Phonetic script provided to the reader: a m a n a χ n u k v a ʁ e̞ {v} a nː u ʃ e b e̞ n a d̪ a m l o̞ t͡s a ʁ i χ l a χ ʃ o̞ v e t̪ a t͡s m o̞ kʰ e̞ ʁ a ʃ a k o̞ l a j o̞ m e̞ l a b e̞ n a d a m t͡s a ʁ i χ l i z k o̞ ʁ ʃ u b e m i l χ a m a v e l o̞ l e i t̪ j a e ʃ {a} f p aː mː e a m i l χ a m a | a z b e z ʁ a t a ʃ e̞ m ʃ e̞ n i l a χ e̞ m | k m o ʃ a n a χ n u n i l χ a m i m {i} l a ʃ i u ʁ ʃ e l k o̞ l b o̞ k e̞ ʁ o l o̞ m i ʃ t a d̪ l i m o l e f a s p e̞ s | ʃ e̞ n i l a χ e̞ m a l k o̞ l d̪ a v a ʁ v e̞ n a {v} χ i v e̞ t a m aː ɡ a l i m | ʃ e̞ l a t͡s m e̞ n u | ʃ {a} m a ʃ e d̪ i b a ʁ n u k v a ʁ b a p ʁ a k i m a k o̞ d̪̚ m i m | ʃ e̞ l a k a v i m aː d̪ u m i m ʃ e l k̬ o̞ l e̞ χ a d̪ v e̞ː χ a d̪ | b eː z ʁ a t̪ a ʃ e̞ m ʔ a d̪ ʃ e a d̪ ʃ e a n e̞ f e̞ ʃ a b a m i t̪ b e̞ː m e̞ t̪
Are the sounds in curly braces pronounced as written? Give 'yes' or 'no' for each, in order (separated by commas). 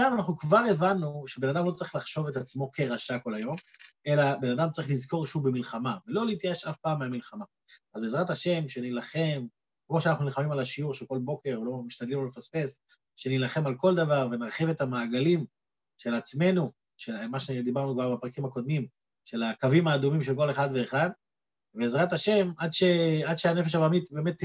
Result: yes, yes, no, no, no